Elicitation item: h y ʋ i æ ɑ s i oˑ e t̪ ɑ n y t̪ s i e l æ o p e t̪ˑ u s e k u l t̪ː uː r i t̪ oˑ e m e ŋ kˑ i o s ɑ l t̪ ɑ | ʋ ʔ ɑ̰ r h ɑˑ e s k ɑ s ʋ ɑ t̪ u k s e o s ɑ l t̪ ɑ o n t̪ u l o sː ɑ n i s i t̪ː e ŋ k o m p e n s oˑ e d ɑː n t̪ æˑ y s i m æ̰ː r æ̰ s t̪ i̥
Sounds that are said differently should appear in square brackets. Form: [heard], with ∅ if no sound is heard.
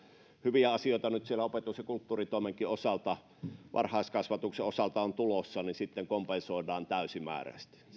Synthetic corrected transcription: h y ʋ i æ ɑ s i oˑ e t̪ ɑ n y t̪ s i e l æ o p e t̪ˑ u s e k u l t̪ː uː r i t̪ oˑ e m e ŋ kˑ i o s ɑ l t̪ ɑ | ʋ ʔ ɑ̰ r h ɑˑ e s k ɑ s ʋ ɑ t̪ u k s e o s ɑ l t̪ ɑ o n t̪ u l o sː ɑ n i s i t̪ː e ŋ k o m p e n s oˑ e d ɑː n t̪ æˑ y s i m æ̰ː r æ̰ s t̪ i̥